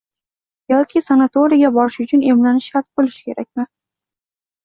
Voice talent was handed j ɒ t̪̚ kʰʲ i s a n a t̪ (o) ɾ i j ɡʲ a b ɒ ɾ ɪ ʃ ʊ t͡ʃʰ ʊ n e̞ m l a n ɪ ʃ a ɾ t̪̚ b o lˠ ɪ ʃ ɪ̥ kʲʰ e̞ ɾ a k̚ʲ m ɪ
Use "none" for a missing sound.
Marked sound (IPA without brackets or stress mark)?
o